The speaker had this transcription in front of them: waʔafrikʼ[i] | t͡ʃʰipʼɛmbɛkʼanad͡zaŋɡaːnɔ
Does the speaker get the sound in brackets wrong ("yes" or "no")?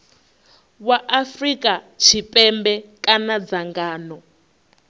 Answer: yes